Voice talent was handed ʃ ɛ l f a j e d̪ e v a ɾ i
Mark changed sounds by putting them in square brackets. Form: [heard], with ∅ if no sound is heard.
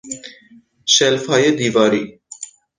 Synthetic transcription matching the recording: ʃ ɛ l f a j e d̪ [i] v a ɾ i